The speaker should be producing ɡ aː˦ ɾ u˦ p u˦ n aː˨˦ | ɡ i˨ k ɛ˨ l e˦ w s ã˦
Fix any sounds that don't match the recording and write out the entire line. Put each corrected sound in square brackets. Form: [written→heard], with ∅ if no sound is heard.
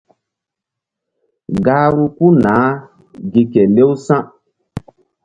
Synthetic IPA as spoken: ɡ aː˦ ɾ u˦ [p→k] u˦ n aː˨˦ | ɡ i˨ k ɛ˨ l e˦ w s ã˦